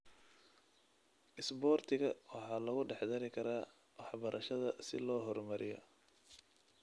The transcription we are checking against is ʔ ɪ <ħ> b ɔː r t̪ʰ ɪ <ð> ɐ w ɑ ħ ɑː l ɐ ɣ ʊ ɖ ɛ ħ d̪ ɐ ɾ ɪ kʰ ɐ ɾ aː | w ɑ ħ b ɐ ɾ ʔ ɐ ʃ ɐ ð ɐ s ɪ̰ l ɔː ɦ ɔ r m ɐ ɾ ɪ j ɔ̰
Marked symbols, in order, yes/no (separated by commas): no, no